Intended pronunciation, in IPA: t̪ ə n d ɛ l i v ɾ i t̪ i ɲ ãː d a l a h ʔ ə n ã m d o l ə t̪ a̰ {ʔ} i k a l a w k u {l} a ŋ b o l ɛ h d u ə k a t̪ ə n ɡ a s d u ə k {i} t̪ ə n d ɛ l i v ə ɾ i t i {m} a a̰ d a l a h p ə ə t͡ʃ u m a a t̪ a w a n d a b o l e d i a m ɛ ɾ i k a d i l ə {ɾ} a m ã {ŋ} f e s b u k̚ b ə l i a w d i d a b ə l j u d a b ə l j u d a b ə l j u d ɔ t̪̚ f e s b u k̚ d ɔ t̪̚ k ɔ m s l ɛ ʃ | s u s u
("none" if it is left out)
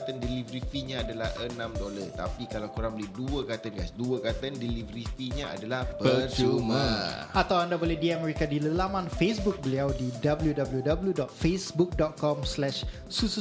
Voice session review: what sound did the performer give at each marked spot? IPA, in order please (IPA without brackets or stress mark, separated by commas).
p, ɾ, a, ɲ, l, n